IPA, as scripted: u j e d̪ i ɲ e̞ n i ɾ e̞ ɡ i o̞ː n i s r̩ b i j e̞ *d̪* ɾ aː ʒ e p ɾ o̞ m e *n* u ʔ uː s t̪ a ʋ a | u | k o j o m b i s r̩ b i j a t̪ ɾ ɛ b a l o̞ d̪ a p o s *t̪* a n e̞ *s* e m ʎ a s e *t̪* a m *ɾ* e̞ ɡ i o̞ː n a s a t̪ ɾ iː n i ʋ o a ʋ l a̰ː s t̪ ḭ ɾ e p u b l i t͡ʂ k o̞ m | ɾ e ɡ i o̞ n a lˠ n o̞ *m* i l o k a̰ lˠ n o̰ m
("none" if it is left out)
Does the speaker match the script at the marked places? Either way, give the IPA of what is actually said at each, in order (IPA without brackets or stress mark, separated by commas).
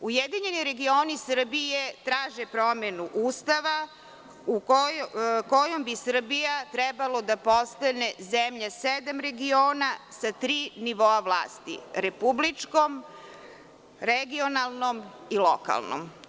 t̪, n, t̪, z, d̪, ɾ, m